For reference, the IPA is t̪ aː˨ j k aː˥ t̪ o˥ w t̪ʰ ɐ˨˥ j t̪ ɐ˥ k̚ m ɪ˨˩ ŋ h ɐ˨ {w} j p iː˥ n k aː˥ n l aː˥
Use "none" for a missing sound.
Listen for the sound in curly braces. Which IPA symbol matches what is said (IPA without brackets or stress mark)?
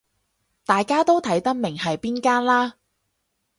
none